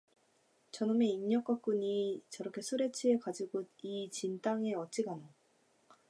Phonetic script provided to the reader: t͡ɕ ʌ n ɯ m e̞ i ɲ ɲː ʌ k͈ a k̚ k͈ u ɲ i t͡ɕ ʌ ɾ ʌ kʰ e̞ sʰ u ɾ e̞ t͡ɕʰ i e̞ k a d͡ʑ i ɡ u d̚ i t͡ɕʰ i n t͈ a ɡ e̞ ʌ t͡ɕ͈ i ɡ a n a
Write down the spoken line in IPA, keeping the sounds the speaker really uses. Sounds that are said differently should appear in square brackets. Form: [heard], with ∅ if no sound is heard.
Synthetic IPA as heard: t͡ɕ ʌ n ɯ m e̞ i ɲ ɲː ʌ k͈ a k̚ k͈ u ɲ i t͡ɕ ʌ ɾ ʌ kʰ e̞ sʰ u ɾ e̞ t͡ɕʰ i e̞ k a d͡ʑ i ɡ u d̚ i [t͡ɕ] i n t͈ a [ŋ] e̞ ʌ t͡ɕ͈ i ɡ a n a